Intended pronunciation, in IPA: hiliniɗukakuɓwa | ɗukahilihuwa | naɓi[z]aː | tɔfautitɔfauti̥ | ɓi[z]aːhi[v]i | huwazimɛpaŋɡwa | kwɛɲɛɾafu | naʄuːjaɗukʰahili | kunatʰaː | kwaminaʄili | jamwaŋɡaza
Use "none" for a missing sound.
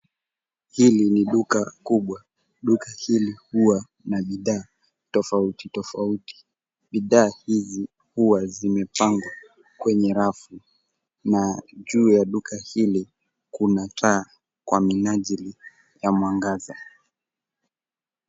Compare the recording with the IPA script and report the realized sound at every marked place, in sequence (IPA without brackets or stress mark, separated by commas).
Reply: ð, ð, z